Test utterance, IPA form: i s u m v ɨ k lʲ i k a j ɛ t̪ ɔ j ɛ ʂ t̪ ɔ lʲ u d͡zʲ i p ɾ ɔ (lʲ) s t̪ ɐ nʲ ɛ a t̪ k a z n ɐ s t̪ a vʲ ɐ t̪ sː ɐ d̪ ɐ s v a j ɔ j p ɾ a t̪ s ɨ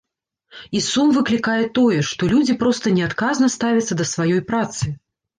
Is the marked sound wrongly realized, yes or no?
yes